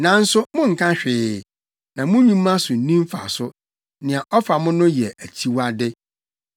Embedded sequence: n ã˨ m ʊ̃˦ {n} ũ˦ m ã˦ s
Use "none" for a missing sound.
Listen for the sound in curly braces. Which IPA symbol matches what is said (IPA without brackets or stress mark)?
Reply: ɲ